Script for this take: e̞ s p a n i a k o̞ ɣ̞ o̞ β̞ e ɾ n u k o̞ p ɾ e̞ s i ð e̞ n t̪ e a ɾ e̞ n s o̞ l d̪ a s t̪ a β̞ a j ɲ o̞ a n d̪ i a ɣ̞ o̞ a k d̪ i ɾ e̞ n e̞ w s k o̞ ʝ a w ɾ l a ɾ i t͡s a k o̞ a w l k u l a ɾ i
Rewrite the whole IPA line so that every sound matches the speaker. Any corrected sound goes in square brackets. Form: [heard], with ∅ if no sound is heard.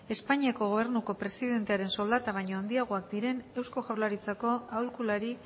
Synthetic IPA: e̞ s p a [ɲ] i a k o̞ ɣ̞ o̞ β̞ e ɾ n u k o̞ p ɾ e̞ s i ð e̞ n t̪ e a ɾ e̞ n s o̞ l d̪ a [∅] t̪ a β̞ a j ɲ o̞ a n d̪ i a ɣ̞ o̞ a k d̪ i ɾ e̞ n e̞ w s k o̞ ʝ a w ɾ l a ɾ i t͡s a k o̞ a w l k u l a ɾ i

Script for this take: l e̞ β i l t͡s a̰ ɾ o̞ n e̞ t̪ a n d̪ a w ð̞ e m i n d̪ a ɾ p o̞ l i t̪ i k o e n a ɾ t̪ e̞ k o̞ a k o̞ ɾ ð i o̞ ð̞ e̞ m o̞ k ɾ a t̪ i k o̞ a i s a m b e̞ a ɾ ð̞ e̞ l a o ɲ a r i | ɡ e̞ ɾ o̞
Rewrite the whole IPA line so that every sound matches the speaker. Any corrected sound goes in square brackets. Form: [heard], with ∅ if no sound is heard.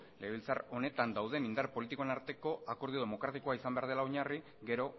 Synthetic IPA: l e̞ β i l t͡s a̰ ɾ o̞ n e̞ t̪ a n d̪ a w ð̞ e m i n d̪ a ɾ p o̞ l i t̪ i k o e n a ɾ t̪ e̞ k o̞ a k o̞ ɾ ð i o̞ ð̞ e̞ m o̞ k ɾ a t̪ i k o̞ a i s a m b e̞ a ɾ ð̞ e̞ l a o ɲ a r i | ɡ e̞ ɾ o̞

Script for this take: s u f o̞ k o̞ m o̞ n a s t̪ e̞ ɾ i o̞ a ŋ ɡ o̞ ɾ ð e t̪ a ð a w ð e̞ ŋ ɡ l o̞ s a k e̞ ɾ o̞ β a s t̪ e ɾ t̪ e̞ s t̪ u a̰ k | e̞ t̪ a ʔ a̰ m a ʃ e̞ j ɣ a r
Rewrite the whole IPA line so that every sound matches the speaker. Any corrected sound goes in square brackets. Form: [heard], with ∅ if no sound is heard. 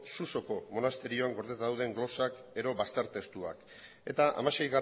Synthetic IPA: s u [s] o̞ k o̞ m o̞ n a s t̪ e̞ ɾ i o̞ a ŋ ɡ o̞ ɾ ð e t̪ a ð a w ð e̞ ŋ ɡ l o̞ s a k e̞ ɾ o̞ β a s t̪ e ɾ t̪ e̞ s t̪ u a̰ k | e̞ t̪ a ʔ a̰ m a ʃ e̞ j ɣ a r

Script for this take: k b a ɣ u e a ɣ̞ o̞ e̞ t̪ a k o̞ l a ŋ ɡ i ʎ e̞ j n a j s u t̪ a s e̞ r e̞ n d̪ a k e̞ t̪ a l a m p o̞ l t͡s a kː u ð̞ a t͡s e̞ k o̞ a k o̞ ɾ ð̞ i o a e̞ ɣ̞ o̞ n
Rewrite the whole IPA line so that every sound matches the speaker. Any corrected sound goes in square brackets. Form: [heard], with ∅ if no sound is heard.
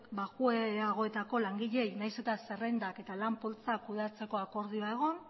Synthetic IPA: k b a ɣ u e a ɣ̞ o̞ e̞ t̪ a k o̞ l a ŋ ɡ i ʎ e̞ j n a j s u t̪ a s e̞ r e̞ n d̪ a k e̞ t̪ a l a m p o̞ l t͡s a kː u ð̞ a t͡s e̞ k o̞ a k o̞ ɾ ð̞ i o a e̞ ɣ̞ o̞ n

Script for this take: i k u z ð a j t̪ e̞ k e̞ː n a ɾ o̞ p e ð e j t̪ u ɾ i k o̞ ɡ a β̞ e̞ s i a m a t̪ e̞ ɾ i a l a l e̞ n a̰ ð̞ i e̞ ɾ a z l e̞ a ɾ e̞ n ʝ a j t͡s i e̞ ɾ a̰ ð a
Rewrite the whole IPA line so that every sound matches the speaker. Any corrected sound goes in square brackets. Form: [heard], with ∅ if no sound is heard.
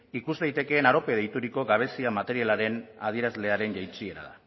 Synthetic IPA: i k u z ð a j t̪ e̞ k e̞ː n a ɾ o̞ p e ð e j t̪ u ɾ i k o̞ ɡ a β̞ e̞ s i a m a t̪ e̞ ɾ i a l a [ɾ] e̞ n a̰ ð̞ i e̞ ɾ a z l e̞ a ɾ e̞ n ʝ a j t͡s i e̞ ɾ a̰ ð a

